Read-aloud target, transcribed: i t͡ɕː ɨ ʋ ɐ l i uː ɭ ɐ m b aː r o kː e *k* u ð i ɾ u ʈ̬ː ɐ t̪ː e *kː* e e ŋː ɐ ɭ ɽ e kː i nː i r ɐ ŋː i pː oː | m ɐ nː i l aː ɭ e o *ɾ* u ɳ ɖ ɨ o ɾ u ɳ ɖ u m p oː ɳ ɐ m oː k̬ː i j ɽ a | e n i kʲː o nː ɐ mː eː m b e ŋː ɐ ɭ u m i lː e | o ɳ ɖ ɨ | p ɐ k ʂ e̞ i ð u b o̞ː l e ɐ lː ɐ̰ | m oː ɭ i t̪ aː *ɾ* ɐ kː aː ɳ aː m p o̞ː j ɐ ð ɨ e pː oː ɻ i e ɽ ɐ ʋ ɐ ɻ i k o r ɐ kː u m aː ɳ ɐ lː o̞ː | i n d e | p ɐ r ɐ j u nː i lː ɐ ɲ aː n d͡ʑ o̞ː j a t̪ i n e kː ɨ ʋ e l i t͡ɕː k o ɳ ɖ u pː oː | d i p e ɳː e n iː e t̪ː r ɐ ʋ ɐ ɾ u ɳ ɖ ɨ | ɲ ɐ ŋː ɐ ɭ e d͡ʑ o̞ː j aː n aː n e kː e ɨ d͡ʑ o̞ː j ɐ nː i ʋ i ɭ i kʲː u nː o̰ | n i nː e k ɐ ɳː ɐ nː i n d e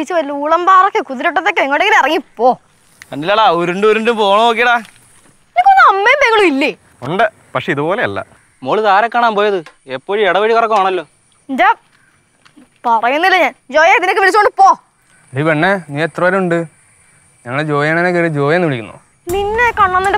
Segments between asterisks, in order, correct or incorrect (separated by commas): correct, correct, correct, correct